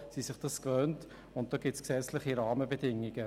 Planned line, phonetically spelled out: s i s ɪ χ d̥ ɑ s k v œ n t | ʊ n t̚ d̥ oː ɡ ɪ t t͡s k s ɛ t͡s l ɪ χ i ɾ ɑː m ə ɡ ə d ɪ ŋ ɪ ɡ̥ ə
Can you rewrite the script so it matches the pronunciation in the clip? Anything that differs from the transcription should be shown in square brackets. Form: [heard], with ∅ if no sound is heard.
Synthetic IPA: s i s ɪ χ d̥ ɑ s k v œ n t | ʊ n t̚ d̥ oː ɡ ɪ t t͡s k s ɛ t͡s l ɪ χ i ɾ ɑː m ə [b] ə d ɪ ŋ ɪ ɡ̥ ə